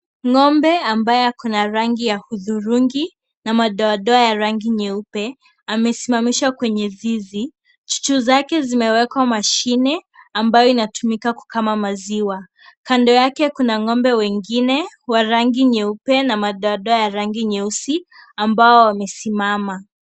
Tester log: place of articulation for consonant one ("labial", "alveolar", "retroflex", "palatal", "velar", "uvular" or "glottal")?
velar